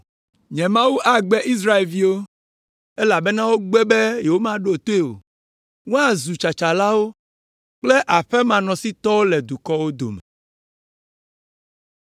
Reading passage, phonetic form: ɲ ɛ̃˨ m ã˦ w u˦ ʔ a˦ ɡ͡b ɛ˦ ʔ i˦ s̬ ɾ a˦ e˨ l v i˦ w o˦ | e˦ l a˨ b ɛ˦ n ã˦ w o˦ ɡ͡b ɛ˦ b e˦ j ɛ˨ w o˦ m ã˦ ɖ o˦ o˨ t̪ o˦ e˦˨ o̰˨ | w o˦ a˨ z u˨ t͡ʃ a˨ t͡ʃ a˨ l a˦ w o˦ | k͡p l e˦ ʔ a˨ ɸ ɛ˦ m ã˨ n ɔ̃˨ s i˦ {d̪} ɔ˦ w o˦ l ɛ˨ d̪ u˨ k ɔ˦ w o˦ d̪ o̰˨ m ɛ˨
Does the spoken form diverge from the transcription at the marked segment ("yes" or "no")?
yes